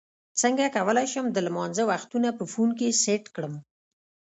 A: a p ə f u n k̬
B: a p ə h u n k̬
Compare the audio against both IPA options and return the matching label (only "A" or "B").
A